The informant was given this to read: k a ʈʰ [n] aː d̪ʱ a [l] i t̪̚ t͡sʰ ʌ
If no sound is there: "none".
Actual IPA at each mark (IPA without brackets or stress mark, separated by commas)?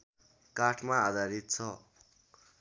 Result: m, ɾ